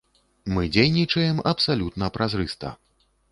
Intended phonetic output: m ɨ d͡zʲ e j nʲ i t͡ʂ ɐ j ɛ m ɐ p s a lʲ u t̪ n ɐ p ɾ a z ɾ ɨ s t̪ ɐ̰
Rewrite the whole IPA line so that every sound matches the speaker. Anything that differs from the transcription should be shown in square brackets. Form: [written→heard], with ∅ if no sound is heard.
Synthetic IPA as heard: m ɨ d͡zʲ e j nʲ i t͡ʂ ɐ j ɛ m ɐ p s a lʲ u t̪ n ɐ p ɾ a z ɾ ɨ s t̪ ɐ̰